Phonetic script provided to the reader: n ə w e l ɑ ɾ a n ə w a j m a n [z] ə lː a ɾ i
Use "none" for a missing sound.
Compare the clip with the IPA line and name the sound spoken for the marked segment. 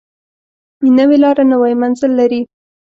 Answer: z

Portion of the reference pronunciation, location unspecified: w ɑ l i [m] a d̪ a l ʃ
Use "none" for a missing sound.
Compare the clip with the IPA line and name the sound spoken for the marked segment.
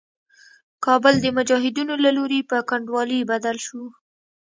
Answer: b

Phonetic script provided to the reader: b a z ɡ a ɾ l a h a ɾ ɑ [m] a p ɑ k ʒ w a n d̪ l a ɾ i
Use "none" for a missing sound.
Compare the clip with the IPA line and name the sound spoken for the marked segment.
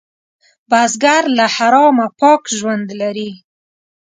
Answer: m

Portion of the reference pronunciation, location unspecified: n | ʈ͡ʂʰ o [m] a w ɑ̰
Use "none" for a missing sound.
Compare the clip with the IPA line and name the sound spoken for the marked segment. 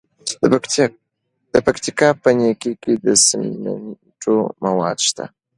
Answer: m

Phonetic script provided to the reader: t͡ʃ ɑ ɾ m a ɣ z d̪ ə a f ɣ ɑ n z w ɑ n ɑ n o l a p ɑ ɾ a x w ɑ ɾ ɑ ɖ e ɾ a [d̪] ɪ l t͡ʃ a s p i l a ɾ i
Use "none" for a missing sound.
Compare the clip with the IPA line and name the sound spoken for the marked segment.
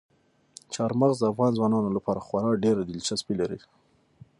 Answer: d̪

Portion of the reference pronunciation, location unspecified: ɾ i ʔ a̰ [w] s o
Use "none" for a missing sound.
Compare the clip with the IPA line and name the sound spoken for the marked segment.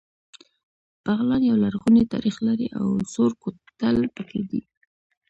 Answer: w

